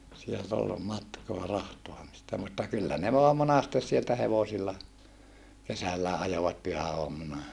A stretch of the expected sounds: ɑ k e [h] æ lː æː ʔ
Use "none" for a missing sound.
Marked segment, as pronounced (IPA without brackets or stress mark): s